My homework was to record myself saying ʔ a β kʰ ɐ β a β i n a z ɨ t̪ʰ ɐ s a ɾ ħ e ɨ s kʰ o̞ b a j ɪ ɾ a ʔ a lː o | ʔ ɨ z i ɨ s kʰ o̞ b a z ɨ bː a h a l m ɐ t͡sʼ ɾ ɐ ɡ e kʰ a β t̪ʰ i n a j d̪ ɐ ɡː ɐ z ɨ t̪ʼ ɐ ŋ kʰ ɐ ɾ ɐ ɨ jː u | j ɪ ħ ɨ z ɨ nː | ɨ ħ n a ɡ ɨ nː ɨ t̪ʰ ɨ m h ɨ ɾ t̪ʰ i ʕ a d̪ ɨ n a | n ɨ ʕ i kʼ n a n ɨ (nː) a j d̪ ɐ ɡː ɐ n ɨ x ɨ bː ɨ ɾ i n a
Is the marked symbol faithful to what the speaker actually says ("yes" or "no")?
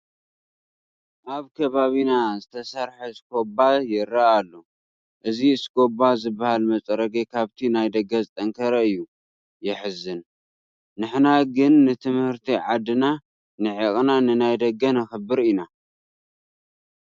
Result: no